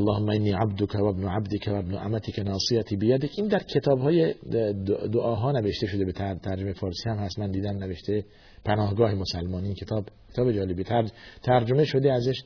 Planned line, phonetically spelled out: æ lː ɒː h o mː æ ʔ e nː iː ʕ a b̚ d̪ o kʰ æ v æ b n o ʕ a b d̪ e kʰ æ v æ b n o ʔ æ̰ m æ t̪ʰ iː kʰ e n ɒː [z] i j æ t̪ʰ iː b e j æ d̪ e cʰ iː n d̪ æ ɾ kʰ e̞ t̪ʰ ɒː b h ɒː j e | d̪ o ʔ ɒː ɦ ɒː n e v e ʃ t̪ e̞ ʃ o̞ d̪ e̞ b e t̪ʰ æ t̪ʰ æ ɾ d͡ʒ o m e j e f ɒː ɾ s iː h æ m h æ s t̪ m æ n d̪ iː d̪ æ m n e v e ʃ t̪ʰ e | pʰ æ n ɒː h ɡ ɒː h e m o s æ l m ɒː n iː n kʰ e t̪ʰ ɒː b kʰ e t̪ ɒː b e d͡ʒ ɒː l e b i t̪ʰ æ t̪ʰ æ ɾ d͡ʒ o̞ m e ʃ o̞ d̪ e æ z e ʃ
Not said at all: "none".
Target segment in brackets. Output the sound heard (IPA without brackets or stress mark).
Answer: s